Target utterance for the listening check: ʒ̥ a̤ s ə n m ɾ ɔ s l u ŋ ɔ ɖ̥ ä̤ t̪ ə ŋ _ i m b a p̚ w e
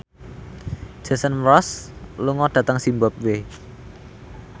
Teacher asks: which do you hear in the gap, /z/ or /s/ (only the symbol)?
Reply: s